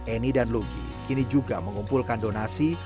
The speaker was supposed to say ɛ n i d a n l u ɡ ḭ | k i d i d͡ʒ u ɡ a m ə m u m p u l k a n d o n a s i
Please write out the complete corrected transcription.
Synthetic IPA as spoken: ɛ n i d a n l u ɡ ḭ | k i n i d͡ʒ u ɡ a m ə ŋ u m p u l k a n d o n a s i

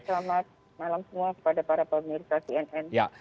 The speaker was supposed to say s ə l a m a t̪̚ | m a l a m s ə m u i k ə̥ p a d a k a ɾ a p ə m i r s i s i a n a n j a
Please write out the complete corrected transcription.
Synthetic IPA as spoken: s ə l a m a t̪̚ | m a l a m s ə m u a k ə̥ p a d a p a ɾ a p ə m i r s a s i ɛ n ɛ n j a

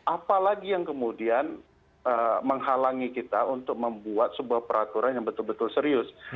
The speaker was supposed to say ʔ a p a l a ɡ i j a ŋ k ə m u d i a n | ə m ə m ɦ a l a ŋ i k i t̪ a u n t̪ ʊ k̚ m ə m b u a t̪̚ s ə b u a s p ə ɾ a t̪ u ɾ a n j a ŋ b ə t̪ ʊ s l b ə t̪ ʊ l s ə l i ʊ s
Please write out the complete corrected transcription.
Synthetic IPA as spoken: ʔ a p a l a ɡ i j a ŋ k ə m u d i a n | ə m ə ŋ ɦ a l a ŋ i k i t̪ a u n t̪ ʊ k̚ m ə m b u a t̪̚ s ə b u a h p ə ɾ a t̪ u ɾ a n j a ŋ b ə t̪ ʊ l b ə t̪ ʊ l s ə ɾ i ʊ s

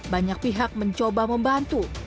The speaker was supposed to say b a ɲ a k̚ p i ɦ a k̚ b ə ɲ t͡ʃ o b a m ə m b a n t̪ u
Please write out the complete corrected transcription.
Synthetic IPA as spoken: b a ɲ a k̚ p i ɦ a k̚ m ə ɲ t͡ʃ o b a m ə m b a n t̪ u

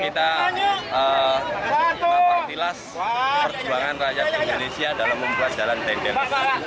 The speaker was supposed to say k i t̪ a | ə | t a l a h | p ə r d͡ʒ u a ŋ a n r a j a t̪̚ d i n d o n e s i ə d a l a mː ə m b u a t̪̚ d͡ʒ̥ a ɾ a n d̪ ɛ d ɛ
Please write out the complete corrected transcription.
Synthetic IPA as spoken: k i t̪ a | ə | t i l a s | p ə r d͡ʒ u a ŋ a n r a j a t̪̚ d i n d o n e s i a d a l a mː ə m b u a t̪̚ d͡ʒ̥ a l a n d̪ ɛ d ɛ

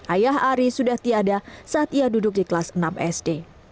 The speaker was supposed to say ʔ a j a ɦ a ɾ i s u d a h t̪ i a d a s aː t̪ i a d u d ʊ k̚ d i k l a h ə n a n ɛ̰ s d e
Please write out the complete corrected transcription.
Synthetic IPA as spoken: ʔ a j a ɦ a ɾ i s u d a h t̪ i a d a s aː t̪ i a d u d ʊ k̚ d i k l a s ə n a m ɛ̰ s d e

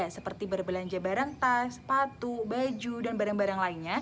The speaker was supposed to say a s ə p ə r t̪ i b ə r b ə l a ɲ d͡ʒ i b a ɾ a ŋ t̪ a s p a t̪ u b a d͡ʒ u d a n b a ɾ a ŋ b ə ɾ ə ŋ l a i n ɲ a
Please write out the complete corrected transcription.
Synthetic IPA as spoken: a s ə p ə r t̪ i b ə r b ə l a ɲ d͡ʒ a b a ɾ a ŋ t̪ a s p a t̪ u b a d͡ʒ u d a n b a ɾ a ŋ b a ɾ a ŋ l a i n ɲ a

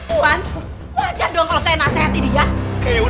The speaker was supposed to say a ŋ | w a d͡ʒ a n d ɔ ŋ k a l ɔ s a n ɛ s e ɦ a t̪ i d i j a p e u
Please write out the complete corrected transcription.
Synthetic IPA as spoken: a n | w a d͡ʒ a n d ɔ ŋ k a l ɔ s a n a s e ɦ a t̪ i d i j a k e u

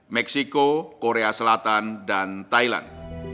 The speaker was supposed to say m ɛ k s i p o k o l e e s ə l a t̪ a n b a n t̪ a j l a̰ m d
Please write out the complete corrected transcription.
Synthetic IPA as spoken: m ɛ k s i k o k o ɾ e a s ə l a t̪ a n d a n t̪ a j l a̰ n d

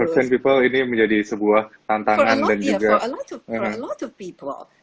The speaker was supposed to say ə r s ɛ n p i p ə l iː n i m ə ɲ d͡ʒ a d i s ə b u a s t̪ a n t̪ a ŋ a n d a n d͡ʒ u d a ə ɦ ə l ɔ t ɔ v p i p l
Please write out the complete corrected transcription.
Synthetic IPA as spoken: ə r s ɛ n p i p ə l i n i m ə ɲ d͡ʒ a d i s ə b u a h t̪ a n t̪ a ŋ a n d a n d͡ʒ u ɡ a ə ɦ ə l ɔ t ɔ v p i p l

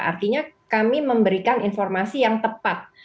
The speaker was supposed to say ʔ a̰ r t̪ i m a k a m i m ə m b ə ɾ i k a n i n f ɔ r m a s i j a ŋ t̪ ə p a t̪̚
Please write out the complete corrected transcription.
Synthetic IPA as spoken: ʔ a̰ r t̪ i ɲ a k a m i m ə m b ə ɾ i k a n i n f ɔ r m a s i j a ŋ t̪ ə p a t̪̚

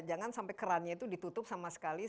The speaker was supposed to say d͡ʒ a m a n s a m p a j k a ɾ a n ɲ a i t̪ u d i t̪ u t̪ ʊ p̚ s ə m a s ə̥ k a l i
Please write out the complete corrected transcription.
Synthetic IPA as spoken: d͡ʒ a ŋ a n s a m p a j k ə ɾ a n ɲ a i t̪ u d i t̪ u t̪ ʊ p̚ s a m a s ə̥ k a l i

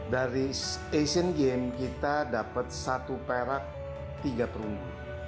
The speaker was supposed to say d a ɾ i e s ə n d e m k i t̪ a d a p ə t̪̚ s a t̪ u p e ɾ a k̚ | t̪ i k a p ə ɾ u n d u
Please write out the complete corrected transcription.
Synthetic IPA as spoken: d a ɾ i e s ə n ɡ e m k i t̪ a d a p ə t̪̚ s a t̪ u p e ɾ a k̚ | t̪ i ɡ a p ə ɾ u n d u

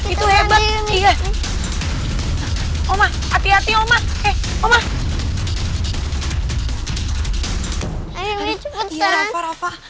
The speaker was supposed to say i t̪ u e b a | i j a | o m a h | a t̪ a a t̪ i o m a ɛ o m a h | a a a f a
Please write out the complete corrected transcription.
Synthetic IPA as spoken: i t̪ u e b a | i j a | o m a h | a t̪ i a t̪ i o m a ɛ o m a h | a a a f a

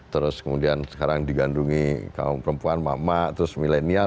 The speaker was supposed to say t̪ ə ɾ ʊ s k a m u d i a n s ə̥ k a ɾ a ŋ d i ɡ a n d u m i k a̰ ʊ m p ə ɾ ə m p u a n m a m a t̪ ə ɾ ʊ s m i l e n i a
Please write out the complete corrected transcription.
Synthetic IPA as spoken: t̪ ə ɾ ʊ s k ə m u d i a n s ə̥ k a ɾ a ŋ d i ɡ a n d u ŋ i k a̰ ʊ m p ə ɾ ə m p u a n m a m a t̪ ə ɾ ʊ s m i l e n i a

